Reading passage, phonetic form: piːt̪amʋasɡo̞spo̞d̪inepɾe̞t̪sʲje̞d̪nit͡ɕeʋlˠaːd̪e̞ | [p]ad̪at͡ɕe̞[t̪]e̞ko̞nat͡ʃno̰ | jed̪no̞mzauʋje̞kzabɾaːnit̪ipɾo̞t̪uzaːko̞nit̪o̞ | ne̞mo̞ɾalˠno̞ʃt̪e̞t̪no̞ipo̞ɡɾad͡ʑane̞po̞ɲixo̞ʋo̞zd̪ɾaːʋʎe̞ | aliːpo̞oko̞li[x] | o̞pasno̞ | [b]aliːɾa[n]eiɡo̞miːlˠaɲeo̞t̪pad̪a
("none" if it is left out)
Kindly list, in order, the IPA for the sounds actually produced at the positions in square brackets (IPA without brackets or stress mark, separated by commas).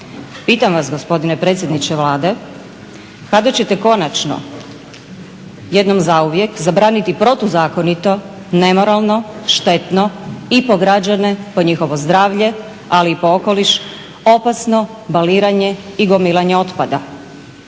k, t̪, ʃ, b, ɲ